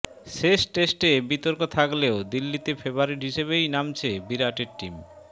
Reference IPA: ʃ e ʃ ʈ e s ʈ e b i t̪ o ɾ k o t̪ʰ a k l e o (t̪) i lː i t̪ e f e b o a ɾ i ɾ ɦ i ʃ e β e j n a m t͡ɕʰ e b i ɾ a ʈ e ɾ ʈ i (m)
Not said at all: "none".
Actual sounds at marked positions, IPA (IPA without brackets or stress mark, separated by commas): d̪, m